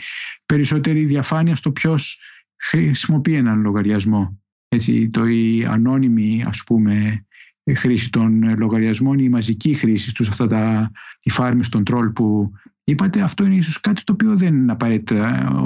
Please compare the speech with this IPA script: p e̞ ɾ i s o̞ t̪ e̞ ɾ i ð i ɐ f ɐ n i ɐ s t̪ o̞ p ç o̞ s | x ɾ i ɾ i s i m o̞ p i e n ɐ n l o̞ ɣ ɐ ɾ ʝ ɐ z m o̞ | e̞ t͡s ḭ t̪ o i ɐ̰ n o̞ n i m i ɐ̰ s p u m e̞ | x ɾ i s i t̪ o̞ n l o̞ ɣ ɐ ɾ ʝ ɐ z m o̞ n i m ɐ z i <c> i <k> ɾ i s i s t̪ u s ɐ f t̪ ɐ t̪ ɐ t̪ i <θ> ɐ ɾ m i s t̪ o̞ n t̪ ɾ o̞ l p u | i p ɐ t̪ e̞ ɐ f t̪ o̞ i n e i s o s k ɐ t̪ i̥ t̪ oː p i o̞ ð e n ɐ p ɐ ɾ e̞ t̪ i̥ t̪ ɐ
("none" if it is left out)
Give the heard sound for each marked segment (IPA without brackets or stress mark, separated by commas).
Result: c, x, f